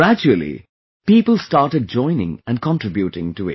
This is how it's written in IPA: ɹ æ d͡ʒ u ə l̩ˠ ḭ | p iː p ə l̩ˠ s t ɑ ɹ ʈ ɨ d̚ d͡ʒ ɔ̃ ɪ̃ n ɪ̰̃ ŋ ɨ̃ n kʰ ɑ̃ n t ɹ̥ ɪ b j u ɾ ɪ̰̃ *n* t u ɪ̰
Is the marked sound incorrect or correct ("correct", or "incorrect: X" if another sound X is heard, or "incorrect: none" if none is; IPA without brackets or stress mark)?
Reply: incorrect: ŋ